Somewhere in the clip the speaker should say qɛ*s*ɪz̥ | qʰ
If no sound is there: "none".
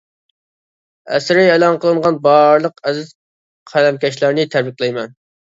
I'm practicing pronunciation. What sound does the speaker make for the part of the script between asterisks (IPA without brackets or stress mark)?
z